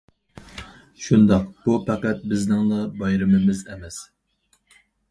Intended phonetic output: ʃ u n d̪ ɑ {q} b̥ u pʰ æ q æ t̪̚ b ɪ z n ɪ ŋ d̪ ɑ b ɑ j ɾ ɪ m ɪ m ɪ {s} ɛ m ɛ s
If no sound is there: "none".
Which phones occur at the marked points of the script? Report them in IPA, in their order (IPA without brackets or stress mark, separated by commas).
q, z